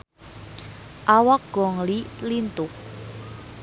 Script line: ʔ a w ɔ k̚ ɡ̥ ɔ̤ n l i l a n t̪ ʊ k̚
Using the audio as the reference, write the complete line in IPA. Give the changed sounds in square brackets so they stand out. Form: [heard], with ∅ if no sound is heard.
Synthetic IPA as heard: ʔ a w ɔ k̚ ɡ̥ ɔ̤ [ŋ] l i l [i] n t̪ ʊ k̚